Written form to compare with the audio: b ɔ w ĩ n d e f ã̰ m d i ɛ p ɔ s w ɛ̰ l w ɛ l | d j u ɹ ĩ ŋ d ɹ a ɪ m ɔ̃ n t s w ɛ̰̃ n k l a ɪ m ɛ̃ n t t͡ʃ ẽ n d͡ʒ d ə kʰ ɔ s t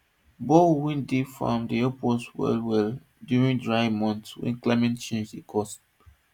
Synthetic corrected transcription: b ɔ w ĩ n d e f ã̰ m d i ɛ p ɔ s w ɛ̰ l w ɛ l | d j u ɹ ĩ ŋ d ɹ a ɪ m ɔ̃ n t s w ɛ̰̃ n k l a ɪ m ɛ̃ n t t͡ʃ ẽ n d͡ʒ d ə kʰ ɔ s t